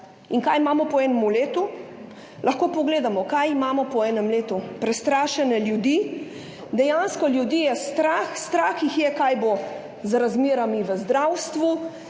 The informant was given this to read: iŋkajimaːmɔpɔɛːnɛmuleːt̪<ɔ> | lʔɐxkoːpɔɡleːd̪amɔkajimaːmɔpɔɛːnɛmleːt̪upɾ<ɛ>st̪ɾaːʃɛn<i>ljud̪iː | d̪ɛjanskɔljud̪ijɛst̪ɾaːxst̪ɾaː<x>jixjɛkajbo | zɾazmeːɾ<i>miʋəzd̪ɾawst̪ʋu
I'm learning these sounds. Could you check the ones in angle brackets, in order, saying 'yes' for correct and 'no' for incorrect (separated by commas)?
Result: no, yes, no, yes, no